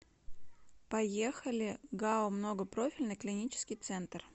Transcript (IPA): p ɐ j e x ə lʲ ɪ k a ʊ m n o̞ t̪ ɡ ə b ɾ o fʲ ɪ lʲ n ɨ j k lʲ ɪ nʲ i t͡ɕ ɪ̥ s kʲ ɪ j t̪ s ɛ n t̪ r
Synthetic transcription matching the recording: p ɐ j e x ə lʲ ɪ ɡ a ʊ m n o̞ ɡ ə p ɾ o fʲ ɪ lʲ n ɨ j k lʲ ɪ nʲ i t͡ɕ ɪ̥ s kʲ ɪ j t̪ s ɛ n t̪ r

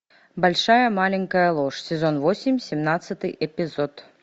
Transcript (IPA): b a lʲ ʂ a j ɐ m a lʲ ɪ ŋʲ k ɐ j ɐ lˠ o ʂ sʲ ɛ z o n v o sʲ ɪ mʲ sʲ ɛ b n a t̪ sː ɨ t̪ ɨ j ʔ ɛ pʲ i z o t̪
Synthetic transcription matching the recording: b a lʲ ʂ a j ɐ m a lʲ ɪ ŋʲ k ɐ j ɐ lˠ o ʂ sʲ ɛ z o n v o sʲ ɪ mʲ sʲ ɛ m n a t̪ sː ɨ t̪ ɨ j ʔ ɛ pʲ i z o t̪

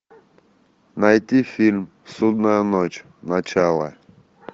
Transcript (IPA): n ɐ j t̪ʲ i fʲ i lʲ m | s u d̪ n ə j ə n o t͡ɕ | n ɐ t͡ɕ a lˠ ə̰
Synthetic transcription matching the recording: n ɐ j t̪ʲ i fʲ i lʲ m | s u d̪ n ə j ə n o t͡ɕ | n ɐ t͡ɕ a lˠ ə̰

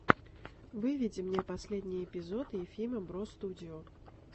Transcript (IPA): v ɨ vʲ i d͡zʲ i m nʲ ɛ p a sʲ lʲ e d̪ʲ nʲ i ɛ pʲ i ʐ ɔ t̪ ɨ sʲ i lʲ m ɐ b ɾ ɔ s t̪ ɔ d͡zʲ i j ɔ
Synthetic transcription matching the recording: v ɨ vʲ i d͡zʲ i m nʲ ɛ p a sʲ lʲ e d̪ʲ nʲ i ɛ pʲ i z ɔ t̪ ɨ fʲ i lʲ m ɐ b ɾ ɔ s t̪ u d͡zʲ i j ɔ

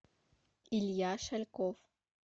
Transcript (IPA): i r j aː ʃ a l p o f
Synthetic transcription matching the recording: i l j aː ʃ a l k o f

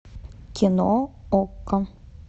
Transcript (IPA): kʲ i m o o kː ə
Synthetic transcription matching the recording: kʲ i n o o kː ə

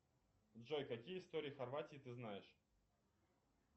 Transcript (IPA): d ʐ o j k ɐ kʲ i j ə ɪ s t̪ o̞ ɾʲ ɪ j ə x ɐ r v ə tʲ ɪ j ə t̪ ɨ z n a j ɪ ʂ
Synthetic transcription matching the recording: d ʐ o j k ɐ kʲ i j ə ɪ s t̪ o̞ ɾʲ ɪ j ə x ɐ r v a tʲ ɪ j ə t̪ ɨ z n a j ɪ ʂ

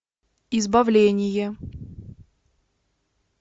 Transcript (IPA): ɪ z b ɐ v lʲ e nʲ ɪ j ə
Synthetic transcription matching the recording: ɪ z b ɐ v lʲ e nʲ ɪ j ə

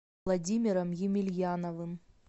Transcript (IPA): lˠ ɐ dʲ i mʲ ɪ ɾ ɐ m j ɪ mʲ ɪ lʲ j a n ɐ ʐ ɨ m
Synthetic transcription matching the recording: lˠ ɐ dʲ i mʲ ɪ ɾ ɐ m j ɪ mʲ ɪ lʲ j a n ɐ v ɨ m

